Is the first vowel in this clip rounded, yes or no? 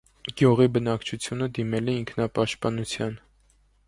yes